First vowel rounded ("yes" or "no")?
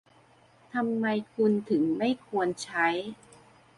no